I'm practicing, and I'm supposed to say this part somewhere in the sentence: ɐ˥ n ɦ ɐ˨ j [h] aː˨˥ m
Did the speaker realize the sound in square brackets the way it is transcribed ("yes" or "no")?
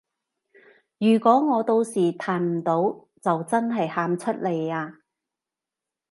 yes